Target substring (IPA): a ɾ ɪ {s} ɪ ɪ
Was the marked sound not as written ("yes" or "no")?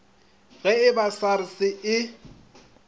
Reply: no